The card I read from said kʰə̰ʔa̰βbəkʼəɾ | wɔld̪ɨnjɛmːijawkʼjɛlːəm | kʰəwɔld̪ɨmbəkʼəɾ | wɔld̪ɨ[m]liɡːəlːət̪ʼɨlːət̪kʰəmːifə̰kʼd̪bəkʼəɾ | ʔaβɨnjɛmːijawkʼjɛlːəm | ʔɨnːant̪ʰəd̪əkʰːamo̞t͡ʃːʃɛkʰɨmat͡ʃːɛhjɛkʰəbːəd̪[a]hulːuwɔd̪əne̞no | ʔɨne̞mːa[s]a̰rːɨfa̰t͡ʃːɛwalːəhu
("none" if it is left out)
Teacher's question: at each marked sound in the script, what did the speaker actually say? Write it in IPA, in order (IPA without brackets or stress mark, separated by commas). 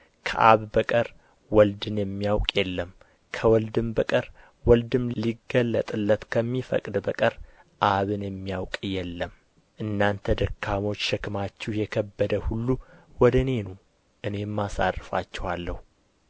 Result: m, ə, s